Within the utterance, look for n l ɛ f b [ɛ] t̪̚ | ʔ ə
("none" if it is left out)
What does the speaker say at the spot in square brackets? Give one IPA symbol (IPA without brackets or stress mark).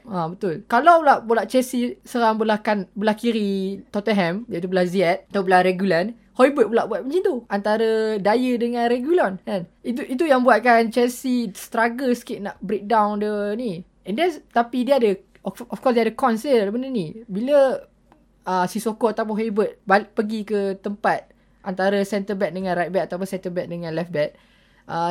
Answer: ɛ